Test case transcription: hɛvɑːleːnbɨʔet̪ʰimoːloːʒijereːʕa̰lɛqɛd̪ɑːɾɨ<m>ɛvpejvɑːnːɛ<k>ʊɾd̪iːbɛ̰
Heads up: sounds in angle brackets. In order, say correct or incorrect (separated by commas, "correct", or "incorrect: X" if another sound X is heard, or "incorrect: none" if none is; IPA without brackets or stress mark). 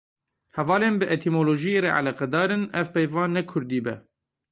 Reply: incorrect: n, incorrect: kʰ